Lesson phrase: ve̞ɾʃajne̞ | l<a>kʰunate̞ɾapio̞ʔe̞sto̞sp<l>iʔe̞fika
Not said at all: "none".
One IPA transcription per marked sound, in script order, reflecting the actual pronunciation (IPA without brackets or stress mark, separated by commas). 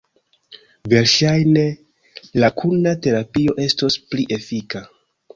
a, l